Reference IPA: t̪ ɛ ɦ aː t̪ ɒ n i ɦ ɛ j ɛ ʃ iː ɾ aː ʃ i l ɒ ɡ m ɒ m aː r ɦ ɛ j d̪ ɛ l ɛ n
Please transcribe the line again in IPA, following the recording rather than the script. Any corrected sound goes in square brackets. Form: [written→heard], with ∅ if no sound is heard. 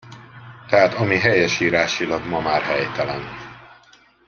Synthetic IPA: t̪ ɛ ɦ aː t̪ ɒ [n→m] i ɦ ɛ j ɛ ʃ iː ɾ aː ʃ i l ɒ ɡ m ɒ m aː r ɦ ɛ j [d̪→t̪] ɛ l ɛ n